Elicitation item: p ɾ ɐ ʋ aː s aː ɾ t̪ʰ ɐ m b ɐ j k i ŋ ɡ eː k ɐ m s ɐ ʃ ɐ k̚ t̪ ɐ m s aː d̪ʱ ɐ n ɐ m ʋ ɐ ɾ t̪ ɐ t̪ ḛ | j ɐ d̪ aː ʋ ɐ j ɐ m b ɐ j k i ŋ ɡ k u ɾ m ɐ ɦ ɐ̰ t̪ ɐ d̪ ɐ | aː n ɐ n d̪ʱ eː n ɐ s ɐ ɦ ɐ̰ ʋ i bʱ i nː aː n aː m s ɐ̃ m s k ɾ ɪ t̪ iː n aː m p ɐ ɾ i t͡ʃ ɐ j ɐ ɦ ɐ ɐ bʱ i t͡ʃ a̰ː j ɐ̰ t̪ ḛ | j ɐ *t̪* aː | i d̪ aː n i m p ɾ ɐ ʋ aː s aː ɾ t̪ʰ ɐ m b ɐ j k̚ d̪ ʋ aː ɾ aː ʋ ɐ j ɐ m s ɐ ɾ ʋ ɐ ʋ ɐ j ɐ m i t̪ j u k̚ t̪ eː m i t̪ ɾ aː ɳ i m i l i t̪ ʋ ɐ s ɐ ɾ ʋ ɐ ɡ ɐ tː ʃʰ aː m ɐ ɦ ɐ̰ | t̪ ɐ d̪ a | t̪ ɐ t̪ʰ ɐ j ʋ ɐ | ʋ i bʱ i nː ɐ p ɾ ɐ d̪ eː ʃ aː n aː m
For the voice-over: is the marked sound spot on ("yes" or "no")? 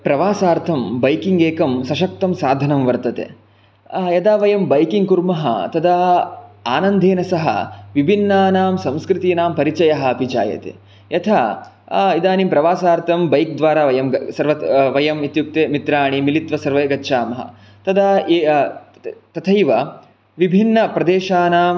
no